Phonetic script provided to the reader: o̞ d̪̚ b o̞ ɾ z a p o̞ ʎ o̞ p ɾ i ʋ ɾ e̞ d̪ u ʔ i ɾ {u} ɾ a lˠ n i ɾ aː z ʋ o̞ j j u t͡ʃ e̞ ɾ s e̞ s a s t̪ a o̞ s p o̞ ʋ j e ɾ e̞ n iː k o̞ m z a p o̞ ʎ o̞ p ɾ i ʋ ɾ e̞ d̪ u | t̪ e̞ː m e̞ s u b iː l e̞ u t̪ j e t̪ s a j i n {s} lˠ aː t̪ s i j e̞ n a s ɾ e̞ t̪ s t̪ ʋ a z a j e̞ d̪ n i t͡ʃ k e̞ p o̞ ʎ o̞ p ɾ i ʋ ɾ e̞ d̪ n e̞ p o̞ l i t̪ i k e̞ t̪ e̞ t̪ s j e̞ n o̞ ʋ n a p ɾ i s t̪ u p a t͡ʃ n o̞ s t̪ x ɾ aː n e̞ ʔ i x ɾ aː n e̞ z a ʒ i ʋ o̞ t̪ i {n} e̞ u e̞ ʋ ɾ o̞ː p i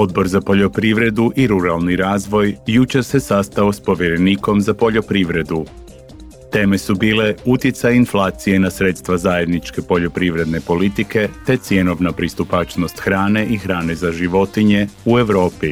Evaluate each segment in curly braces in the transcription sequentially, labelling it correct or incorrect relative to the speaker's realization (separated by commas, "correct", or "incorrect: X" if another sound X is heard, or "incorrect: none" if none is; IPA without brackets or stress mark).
correct, incorrect: f, incorrect: ɲ